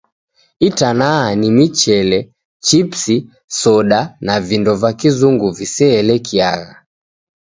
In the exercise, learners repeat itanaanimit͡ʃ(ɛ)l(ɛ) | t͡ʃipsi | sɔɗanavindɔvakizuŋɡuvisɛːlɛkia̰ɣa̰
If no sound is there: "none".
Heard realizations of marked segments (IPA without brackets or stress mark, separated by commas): ɛ, ɛ